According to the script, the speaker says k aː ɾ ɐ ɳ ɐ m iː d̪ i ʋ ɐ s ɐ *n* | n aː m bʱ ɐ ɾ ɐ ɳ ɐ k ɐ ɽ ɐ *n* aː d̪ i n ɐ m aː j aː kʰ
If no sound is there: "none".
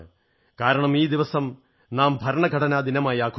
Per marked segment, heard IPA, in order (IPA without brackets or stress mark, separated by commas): m, n